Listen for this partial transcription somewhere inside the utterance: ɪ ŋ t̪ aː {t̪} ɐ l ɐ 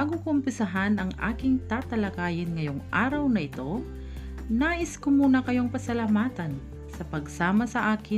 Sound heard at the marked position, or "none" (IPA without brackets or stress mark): t̪